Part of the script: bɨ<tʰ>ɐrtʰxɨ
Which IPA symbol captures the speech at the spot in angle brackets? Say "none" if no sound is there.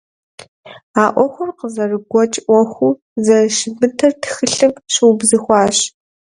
tʰ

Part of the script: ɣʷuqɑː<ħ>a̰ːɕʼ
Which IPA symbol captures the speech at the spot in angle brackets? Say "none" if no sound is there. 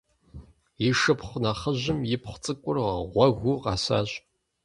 s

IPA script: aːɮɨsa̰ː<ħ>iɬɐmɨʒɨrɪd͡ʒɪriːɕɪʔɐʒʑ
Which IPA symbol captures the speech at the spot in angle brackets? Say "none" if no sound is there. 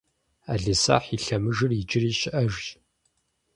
ħ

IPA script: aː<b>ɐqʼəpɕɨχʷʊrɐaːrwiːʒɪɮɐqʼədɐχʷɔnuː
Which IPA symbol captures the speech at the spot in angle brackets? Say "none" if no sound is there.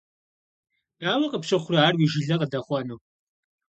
w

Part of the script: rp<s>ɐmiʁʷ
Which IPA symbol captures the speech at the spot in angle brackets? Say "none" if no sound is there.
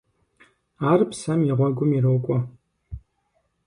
s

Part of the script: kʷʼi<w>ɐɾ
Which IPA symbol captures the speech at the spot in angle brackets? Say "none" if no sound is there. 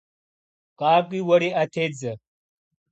w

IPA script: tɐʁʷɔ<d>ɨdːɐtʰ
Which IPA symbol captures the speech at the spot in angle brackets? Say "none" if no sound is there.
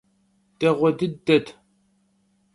d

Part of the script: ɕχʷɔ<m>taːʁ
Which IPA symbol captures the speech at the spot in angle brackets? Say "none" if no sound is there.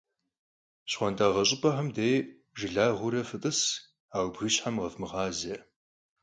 n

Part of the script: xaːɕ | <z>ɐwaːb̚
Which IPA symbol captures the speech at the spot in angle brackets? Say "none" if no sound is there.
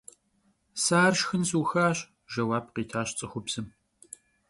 ʒ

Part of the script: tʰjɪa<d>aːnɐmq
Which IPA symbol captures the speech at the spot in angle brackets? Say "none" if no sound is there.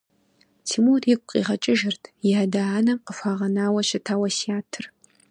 d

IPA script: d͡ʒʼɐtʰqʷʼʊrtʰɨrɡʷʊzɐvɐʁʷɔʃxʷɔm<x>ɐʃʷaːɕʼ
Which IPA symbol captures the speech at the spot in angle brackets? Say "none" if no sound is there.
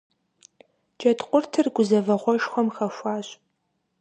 x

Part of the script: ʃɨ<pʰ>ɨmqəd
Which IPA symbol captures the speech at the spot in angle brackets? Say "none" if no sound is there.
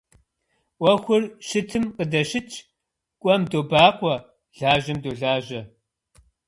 tʰ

